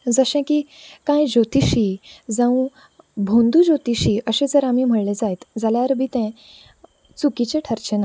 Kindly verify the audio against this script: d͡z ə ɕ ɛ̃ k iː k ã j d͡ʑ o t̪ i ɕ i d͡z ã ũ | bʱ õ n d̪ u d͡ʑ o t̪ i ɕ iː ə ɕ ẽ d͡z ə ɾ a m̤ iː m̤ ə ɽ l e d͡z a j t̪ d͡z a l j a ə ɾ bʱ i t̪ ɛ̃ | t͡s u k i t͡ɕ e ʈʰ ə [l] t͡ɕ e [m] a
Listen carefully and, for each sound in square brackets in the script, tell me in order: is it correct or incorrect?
incorrect: ɾ, incorrect: n

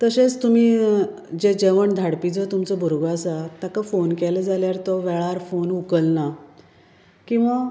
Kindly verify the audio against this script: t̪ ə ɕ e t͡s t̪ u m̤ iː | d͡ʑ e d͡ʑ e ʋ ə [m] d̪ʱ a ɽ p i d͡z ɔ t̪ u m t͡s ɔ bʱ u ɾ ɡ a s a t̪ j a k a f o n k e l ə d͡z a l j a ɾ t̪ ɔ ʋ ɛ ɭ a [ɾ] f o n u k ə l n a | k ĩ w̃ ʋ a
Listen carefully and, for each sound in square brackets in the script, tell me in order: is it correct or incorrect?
incorrect: ɳ, correct

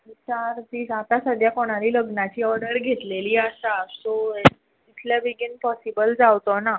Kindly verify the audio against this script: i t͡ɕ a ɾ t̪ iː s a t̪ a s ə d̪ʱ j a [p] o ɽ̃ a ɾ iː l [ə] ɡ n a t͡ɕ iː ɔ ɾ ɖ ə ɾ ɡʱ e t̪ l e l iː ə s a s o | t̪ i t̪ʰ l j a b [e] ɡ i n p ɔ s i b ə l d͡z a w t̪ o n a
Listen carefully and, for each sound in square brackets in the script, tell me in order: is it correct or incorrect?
incorrect: k, correct, incorrect: i

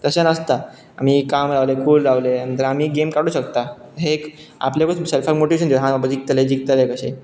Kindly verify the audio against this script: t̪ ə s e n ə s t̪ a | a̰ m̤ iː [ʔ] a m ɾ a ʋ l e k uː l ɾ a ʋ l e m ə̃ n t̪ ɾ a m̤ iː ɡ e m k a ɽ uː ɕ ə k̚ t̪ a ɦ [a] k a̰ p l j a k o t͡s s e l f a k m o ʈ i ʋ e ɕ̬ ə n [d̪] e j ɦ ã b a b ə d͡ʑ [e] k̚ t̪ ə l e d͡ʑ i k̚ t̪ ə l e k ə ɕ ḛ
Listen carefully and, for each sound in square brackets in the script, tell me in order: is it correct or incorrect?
incorrect: k, incorrect: e, correct, incorrect: i

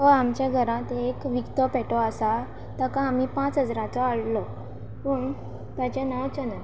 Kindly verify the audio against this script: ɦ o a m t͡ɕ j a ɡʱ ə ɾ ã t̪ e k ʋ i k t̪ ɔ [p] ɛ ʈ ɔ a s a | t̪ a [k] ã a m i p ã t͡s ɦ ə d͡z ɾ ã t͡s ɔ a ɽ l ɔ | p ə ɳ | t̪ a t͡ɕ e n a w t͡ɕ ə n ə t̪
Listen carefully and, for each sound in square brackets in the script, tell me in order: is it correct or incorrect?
correct, correct

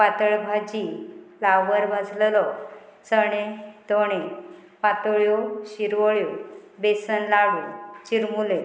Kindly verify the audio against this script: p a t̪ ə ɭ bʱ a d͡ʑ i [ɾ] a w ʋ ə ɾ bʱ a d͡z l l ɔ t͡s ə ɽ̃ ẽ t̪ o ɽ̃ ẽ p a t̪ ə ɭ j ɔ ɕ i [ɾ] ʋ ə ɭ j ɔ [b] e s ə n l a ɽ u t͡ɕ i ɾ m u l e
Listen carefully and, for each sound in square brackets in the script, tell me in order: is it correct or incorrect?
incorrect: l, correct, correct

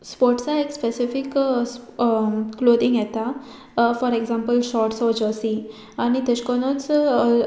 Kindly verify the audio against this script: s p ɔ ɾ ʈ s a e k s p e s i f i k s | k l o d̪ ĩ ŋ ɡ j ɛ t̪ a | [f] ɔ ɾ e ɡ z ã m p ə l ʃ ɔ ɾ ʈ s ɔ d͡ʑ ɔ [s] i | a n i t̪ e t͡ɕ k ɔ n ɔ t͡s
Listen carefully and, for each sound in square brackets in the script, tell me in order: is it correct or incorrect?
correct, correct

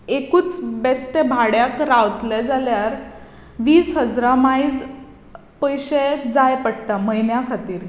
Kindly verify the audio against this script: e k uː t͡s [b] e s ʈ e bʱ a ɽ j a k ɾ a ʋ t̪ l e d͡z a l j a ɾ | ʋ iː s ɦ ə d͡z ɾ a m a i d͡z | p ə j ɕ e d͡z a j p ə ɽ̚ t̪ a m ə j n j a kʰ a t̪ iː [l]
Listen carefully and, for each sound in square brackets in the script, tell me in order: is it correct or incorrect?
correct, incorrect: ɾ

